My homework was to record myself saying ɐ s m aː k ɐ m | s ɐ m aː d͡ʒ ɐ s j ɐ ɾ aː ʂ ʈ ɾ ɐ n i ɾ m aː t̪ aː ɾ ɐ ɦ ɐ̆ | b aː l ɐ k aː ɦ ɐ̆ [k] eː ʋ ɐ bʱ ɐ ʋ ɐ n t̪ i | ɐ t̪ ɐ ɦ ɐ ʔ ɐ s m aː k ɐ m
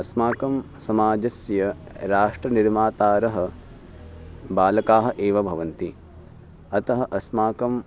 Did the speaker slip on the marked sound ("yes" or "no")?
yes